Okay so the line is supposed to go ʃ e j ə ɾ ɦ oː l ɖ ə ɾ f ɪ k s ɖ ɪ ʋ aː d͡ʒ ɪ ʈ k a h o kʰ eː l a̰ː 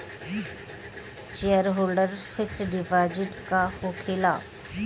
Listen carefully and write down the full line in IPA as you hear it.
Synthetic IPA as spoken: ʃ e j ə ɾ ɦ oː l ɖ ə ɾ f ɪ k s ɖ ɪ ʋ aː d͡ʒ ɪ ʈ k a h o kʰ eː l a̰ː